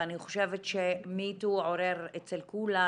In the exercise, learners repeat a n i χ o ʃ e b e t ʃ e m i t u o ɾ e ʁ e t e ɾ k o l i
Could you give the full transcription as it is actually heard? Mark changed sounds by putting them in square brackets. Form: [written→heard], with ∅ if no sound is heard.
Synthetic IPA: a n i χ o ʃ e [b→v] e t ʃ e m i t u o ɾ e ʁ e [t→t͡s] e [ɾ→l] k [o→u] l [i→a]